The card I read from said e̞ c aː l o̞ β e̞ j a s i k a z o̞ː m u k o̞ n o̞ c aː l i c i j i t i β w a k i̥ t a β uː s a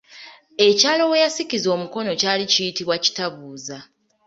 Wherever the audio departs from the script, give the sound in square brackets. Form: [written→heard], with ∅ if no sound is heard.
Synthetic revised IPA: e̞ c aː l o̞ [β→w] e̞ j a s i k [a→i] z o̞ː m u k o̞ n o̞ c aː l i c i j i t i β w a [k→c] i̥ t a β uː [s→z] a